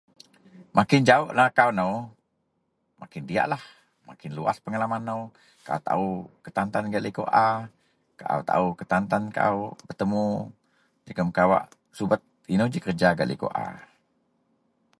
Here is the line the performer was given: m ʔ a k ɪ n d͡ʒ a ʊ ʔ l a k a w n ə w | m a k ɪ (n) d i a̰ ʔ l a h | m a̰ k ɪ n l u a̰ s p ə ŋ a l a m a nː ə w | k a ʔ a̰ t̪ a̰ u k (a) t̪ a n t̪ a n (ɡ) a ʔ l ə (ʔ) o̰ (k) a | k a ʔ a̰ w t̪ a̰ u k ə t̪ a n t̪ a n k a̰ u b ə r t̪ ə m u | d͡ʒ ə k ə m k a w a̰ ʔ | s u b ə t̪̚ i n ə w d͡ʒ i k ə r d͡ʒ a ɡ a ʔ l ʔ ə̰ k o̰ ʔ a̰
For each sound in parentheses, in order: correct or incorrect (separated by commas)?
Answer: correct, incorrect, correct, incorrect, incorrect